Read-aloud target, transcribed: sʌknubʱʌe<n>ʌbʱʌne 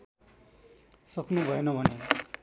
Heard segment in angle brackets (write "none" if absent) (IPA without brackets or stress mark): n